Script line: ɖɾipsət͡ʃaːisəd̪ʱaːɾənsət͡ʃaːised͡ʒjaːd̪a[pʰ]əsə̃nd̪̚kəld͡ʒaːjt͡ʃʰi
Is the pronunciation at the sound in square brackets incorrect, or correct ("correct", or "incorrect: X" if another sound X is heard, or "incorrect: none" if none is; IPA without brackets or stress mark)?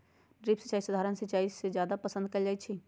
incorrect: p